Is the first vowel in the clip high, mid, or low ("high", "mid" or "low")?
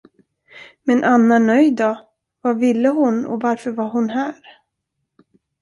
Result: mid